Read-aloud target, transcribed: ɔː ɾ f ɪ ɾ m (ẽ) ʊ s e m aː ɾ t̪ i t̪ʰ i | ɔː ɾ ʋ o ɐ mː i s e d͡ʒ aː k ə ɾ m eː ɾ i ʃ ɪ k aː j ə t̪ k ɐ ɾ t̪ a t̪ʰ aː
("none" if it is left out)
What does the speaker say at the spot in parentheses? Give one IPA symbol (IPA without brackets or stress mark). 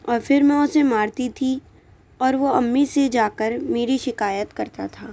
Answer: ɛ̃